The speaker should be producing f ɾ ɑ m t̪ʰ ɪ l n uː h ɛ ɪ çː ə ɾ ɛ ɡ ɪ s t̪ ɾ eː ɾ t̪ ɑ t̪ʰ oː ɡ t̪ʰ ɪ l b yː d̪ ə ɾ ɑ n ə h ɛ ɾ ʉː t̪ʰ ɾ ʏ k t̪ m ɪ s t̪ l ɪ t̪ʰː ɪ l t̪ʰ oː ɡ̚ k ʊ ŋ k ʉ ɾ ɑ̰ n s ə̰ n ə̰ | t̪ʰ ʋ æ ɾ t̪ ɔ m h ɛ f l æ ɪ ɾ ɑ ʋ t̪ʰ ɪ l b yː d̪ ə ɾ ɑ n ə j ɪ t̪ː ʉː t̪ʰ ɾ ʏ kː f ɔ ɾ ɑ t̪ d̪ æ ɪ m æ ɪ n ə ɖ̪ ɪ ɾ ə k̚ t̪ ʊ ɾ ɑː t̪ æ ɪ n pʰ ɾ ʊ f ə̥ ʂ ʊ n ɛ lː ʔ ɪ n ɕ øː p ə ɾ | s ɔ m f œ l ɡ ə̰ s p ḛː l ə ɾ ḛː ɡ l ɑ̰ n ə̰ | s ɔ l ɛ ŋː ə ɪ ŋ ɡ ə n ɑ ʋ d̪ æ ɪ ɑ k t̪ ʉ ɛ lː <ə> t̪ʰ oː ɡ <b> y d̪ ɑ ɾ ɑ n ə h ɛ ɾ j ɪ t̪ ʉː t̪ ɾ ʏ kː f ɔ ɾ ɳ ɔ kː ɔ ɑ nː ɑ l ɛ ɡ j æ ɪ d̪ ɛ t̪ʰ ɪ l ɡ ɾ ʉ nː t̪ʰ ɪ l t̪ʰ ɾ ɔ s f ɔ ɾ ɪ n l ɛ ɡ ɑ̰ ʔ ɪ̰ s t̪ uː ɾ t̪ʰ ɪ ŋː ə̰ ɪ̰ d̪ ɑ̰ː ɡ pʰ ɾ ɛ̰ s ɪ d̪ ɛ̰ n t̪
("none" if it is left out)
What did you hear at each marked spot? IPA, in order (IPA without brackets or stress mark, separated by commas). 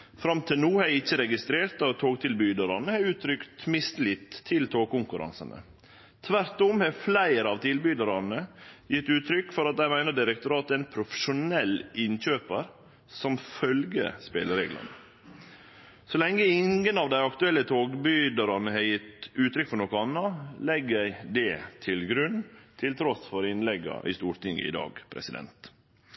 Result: ə, b